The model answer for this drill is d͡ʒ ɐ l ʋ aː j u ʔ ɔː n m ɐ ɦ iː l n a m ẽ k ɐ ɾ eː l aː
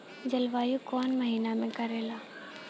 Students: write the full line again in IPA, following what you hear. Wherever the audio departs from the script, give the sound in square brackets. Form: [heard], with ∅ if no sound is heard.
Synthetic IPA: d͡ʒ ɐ l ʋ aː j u [k] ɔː n m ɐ ɦ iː [∅] n a m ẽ k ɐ ɾ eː l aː